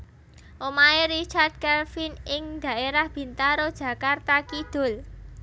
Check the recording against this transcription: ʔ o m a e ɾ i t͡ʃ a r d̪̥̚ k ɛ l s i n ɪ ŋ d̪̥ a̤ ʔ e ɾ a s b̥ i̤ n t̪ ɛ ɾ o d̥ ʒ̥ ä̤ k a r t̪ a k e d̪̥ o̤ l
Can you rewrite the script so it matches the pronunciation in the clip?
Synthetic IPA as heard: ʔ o m a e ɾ i t͡ʃ a r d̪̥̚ k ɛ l f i n ɪ ŋ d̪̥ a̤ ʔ e ɾ a h b̥ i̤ n t̪ a ɾ o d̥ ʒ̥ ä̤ k a r t̪ a k i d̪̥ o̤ l